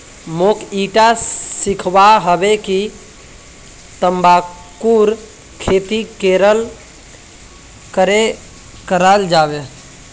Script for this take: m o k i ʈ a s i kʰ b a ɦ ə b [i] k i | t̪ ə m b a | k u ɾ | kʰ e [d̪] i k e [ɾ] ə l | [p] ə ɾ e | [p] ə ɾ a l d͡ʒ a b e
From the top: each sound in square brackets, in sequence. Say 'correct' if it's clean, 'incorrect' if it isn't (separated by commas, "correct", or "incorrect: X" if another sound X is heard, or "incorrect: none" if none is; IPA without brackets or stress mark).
incorrect: e, incorrect: t̪, correct, incorrect: k, incorrect: k